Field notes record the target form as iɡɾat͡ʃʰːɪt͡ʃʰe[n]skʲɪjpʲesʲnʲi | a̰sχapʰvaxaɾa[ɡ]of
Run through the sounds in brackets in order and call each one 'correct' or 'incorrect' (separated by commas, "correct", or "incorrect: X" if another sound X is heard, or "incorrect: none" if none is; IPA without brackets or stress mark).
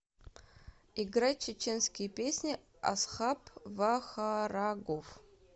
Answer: correct, correct